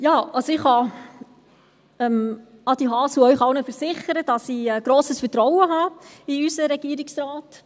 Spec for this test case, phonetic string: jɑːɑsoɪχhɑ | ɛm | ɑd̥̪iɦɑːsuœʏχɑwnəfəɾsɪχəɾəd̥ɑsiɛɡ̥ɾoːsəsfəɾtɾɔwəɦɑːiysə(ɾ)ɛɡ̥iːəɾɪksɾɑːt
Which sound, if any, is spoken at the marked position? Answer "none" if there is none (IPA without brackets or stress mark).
ɾ